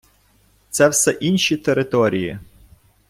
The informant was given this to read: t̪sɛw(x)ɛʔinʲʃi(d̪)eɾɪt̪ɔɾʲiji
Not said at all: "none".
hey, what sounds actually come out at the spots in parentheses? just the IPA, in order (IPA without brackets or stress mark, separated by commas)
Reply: s, t̪